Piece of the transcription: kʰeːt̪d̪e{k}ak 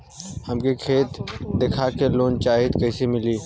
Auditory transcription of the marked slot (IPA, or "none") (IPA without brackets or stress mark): kʰ